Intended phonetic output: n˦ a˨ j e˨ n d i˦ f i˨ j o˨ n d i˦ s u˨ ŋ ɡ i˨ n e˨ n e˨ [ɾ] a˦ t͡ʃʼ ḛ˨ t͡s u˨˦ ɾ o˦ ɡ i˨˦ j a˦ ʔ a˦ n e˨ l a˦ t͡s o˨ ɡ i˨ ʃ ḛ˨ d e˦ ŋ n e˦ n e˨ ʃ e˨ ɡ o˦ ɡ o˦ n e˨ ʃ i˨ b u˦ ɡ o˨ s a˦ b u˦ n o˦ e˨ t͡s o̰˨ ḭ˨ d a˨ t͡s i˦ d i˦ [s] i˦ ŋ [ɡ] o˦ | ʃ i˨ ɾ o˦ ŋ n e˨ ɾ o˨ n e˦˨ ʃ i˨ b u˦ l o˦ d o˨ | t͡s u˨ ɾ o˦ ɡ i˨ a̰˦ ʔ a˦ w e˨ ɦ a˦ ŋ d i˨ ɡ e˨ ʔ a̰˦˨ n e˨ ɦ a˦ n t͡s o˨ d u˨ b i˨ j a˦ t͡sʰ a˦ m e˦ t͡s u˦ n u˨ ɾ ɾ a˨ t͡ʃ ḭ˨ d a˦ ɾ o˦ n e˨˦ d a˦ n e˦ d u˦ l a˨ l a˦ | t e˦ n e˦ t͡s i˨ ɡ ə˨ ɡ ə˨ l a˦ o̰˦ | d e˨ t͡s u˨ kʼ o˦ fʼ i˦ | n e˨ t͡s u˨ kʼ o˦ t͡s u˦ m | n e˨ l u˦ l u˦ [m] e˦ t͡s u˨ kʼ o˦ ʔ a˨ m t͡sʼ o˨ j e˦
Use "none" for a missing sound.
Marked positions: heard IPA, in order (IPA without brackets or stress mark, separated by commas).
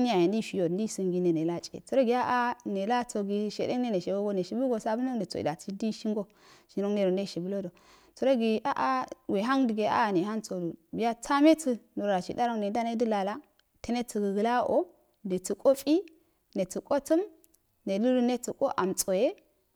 l, ʃ, ɡ, n